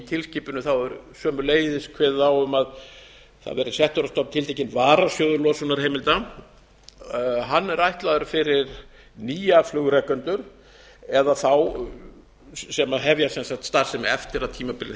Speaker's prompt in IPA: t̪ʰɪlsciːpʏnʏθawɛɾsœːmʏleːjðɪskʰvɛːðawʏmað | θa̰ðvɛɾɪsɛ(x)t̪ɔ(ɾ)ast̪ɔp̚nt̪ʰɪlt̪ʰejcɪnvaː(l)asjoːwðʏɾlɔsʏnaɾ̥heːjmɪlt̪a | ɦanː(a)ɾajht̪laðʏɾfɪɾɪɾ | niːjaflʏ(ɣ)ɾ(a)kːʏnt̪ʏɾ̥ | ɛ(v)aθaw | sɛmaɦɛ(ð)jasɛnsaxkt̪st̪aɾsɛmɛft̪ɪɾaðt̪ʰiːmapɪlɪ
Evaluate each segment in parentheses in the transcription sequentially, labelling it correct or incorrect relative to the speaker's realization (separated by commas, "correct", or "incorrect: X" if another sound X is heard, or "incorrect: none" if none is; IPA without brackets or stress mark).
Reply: incorrect: h, correct, incorrect: ɾ, incorrect: ɛ, correct, incorrect: ɛ, incorrect: ð, incorrect: v